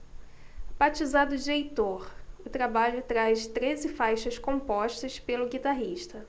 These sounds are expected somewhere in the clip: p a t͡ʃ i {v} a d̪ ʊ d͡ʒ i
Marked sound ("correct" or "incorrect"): incorrect